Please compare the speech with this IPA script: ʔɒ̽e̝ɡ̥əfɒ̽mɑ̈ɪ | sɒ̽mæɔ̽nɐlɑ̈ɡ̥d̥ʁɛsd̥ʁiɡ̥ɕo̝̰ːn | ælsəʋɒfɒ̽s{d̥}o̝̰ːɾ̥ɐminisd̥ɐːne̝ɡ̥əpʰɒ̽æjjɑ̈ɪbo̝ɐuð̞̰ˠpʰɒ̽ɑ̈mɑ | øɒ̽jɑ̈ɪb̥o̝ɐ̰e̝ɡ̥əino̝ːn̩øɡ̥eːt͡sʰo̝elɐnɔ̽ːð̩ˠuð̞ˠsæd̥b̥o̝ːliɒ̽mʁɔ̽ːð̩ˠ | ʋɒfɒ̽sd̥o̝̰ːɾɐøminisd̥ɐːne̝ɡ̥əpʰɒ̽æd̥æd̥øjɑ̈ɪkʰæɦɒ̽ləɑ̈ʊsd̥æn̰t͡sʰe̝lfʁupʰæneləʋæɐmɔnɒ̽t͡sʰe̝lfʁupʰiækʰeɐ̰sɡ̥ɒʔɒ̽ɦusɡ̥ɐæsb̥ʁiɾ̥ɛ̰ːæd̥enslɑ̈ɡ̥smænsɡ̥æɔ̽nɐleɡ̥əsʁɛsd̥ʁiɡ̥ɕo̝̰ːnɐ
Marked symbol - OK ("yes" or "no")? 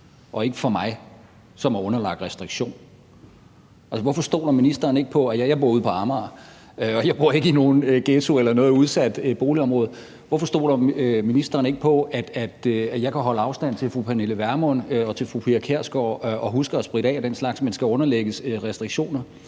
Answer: yes